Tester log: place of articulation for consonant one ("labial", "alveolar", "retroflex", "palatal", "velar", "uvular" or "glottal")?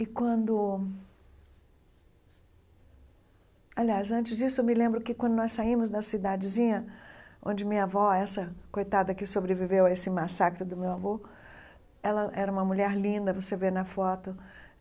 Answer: velar